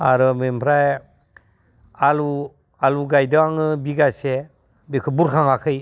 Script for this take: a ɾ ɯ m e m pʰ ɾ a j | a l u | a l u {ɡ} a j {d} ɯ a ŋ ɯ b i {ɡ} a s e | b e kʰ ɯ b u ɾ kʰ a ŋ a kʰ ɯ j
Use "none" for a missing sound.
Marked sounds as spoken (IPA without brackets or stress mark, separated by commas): ɡ, d, ɡ